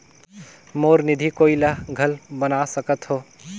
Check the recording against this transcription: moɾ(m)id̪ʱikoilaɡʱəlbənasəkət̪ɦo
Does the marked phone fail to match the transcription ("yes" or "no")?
yes